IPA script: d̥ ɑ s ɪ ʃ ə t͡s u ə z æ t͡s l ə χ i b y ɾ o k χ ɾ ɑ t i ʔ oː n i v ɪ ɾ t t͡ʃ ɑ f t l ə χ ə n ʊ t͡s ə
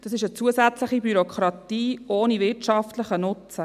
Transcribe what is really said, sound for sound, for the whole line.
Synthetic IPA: d̥ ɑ s ɪ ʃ ə t͡s u ə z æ t͡s l ə χ i b y ɾ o k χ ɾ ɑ t iː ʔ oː n i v ɪ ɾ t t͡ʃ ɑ f t l ə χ ə n ʊ t͡s ə

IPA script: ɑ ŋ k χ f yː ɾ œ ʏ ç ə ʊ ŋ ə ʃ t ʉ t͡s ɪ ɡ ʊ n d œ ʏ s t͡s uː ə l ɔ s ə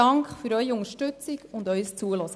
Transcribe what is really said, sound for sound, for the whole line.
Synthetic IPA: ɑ ŋ k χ f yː ɾ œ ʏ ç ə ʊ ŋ ə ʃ t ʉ t͡s ɪ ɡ ʊ n d œ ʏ s t͡s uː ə l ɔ s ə

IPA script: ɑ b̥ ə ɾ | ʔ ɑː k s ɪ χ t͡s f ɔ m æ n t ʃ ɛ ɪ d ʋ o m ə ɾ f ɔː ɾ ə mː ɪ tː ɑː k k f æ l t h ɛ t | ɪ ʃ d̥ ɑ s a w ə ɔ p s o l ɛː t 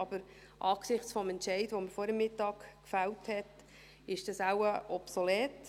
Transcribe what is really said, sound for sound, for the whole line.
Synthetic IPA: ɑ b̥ ə ɾ | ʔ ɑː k s ɪ χ t͡s f ɔ m ɛ n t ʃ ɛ ɪ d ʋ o m ə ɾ f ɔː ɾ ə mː ɪ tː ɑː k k f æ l t h ɛ t | ɪ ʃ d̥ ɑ s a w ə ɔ p s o l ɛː t

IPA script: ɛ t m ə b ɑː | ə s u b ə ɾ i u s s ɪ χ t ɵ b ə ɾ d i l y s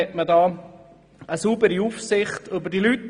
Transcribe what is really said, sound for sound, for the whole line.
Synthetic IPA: ɛ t m ə d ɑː | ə s u b ə ɾ i u f s ɪ χ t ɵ b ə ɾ d i l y t

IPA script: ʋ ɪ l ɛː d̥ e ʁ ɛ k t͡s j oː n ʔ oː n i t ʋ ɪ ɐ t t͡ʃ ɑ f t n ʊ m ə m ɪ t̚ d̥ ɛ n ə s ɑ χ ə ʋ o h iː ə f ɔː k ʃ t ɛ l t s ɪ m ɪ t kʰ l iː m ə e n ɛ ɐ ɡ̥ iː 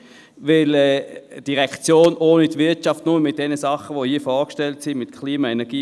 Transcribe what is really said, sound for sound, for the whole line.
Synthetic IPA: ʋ ɪ l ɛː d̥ i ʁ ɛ k t͡s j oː n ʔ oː n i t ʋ ɪ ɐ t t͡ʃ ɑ f t n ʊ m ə m ɪ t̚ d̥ ɛ n ə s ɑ χ ə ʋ o h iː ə f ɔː k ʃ t ɛ l t s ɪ m ɪ t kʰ l iː m ɑ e n ɛ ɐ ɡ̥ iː

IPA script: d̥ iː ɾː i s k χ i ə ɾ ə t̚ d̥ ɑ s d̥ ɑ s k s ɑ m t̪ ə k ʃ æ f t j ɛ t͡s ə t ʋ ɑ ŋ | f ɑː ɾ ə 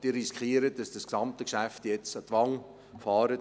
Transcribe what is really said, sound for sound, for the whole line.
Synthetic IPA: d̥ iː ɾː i s k χ i ə ɾ ə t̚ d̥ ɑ s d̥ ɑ s k s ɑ m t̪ ə k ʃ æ f t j ɛ t͡s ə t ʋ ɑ ŋ | f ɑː ɾ ə

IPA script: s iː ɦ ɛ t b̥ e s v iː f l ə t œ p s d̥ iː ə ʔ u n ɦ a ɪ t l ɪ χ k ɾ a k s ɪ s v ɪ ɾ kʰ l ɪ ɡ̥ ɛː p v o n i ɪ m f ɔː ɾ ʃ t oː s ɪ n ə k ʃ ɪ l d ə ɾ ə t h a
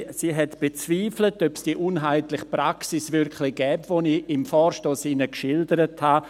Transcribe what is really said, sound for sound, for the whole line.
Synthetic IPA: s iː ɦ ɛ t b̥ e t͡s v iː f l ə t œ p s d̥ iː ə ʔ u n ɦ a ɪ t l ɪ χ p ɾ a k s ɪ s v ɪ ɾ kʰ l ɪ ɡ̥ ɛː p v o n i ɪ m f ɔː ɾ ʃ t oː s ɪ n ə k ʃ ɪ l d ə ɾ ə t h a

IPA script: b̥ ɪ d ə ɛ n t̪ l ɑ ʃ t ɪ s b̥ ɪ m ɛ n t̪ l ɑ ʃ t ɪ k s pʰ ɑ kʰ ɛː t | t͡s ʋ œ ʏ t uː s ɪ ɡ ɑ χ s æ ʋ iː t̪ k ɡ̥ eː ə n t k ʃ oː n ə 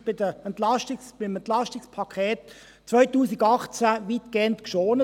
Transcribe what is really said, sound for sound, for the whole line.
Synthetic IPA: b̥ ɪ d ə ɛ n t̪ l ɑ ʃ t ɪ s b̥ ɪ m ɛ n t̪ l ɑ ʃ t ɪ k s pʰ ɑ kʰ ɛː t | t͡s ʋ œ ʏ t uː s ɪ ɡ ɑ χ t͡s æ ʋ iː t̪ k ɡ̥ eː ə n t k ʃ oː n ə

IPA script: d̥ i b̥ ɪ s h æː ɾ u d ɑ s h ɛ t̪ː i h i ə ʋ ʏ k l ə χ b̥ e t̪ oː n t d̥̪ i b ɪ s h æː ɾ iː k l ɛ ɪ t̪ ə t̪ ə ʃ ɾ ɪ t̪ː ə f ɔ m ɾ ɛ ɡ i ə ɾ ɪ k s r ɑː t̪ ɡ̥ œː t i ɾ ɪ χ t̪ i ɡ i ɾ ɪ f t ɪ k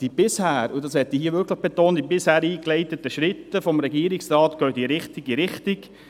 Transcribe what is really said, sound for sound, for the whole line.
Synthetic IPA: d̥ i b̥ ɪ s h æː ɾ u d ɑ s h ɛ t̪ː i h i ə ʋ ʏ k l ə χ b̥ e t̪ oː n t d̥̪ i b ɪ s h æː ɾ iː k l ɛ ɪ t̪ ə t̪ ə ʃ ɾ ɪ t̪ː ə f ɔ m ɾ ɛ ɡ i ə ɾ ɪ k s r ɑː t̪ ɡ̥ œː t i ɾ ɪ χ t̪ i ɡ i ɾ ɪ χ t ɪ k

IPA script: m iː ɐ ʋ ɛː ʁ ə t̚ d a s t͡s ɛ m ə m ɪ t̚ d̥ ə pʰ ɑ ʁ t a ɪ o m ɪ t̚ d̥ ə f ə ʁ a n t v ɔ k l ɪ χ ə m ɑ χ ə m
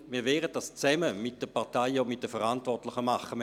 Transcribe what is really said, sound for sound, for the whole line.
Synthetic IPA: m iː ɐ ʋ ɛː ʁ ə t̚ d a s t͡s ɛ m ə m ɪ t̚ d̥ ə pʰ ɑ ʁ t a ɪ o m ɪ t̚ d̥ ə f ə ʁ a n t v ɔ t l ɪ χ ə m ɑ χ ə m

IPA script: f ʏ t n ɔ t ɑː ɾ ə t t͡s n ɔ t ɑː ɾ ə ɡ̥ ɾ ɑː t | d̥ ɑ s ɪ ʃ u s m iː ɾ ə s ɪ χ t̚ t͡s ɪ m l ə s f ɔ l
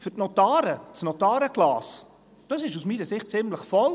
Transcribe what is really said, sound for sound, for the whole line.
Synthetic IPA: f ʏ t n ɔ t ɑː ɾ ə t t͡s n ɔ t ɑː ɾ ə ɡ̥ l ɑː s | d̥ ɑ s ɪ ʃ u s m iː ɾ ə s ɪ χ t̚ t͡s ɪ m l ə χ f ɔ l

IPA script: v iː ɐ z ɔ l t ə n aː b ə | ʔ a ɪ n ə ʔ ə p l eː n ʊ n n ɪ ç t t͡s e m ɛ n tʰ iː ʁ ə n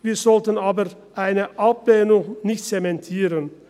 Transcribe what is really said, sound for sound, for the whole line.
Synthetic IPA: v iː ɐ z ɔ l t ə n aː b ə | ʔ a ɪ n ə ʔ a p l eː n ʊ ŋ n ɪ ç t t͡s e m ɛ n tʰ iː ʁ ə n

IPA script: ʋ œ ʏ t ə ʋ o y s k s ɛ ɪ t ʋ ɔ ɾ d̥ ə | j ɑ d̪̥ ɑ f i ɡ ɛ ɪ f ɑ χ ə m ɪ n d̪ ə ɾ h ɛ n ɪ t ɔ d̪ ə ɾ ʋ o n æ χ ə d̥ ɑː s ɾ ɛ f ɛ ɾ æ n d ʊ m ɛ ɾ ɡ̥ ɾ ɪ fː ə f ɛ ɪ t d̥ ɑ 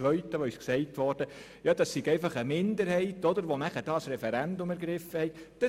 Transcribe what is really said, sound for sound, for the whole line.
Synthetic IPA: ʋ œ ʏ t ə ʋ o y s k s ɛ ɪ t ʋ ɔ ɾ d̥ ə | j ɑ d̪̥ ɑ s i ɡ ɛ ɪ f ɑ χ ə m ɪ n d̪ ə ɾ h ɛ ɪ t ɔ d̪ ə ɾ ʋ o n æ χ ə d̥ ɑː s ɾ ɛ f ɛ ɾ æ n d ʊ m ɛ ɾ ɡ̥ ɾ ɪ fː ə h ɛ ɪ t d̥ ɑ

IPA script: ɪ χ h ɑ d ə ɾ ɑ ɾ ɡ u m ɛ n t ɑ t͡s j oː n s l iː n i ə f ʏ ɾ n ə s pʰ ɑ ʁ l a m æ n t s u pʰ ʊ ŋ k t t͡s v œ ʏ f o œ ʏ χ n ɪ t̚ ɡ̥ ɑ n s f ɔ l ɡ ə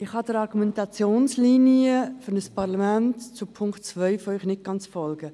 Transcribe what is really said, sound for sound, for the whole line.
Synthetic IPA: ɪ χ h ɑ d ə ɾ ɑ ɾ ɡ u m ɛ n t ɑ t͡s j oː n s l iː n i ə f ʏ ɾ n ə s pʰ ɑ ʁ l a m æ n t t͡s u pʰ ʊ ŋ k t t͡s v œ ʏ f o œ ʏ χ n ɪ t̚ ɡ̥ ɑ n t͡s f ɔ l ɡ ə

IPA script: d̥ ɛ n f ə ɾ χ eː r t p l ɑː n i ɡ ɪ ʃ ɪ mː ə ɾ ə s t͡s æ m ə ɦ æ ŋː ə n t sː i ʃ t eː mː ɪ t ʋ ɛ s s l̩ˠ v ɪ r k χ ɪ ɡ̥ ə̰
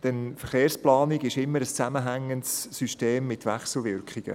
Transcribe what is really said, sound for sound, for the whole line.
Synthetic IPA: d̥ ɛ n f ə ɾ χ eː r s p l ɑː n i ɡ ɪ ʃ ɪ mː ə ɾ ə s t͡s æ m ə ɦ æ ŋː ə n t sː y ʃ t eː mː ɪ t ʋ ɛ χ s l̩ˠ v ɪ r k χ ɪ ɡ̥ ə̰

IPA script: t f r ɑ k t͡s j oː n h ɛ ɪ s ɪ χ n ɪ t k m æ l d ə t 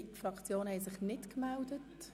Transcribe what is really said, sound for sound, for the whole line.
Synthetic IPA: t f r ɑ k t͡s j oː n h ɛ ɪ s ɪ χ n ɪ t k m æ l d ə t

